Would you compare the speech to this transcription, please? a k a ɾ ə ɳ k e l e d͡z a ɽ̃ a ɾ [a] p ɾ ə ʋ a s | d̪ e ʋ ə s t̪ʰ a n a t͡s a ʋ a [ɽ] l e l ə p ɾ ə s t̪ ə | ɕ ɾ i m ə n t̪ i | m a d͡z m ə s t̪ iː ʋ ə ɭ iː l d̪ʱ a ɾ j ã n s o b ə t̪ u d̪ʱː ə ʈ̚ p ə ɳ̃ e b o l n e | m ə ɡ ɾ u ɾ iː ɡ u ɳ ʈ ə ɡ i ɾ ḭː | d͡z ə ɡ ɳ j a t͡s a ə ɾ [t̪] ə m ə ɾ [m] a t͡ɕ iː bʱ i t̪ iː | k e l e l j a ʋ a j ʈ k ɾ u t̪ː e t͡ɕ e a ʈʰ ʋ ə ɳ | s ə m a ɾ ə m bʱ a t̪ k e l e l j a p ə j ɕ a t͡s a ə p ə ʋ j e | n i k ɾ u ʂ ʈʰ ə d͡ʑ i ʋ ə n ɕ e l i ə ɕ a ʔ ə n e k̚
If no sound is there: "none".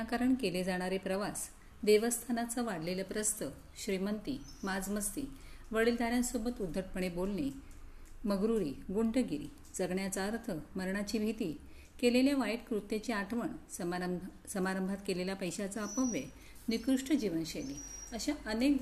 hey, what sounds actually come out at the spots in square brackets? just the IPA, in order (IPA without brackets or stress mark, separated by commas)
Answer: e, ɽ, t̪ʰ, ɳ